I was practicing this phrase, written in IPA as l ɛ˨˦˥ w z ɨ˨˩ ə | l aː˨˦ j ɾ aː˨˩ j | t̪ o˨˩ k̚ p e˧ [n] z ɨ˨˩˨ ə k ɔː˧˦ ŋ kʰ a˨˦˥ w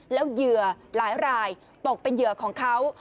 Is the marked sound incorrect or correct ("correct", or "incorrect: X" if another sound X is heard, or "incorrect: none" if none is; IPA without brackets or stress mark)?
correct